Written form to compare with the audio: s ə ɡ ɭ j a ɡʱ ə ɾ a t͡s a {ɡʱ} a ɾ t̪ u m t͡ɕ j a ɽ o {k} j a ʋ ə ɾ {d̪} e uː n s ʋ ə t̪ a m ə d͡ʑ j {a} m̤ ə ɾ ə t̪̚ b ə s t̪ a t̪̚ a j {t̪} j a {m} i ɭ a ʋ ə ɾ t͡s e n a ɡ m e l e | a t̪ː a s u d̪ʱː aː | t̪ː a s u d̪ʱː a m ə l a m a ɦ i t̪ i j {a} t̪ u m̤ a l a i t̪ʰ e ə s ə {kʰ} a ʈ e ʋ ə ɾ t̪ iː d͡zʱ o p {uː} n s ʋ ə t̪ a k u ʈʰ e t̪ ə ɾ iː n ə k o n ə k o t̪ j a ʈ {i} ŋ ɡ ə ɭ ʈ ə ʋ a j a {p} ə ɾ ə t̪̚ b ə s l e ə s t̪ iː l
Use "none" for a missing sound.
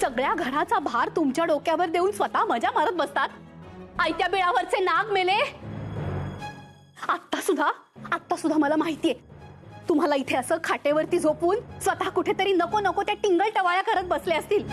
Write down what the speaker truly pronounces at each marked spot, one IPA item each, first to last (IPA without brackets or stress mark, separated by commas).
bʱ, k, d̪, a, t̪, b, e, kʰ, uː, i, k